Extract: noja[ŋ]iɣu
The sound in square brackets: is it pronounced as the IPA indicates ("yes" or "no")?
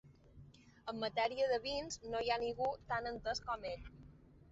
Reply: no